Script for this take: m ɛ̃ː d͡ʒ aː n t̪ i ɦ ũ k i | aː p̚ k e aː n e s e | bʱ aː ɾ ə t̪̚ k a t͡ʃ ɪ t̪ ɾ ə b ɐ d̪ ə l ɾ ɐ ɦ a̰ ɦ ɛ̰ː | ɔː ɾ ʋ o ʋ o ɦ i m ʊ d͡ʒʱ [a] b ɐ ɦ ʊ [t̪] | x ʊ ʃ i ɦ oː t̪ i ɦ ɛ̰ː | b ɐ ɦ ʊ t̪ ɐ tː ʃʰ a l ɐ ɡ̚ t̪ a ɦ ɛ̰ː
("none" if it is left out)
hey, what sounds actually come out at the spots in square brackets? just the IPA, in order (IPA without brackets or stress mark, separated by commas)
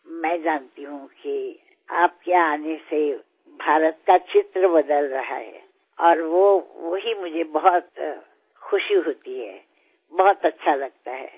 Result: e, t̪